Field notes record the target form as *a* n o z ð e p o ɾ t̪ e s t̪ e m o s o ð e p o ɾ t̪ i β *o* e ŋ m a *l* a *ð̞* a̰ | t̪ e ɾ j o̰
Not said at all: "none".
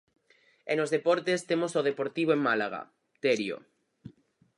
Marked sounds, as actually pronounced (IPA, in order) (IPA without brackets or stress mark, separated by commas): e, o, l, ɣ̞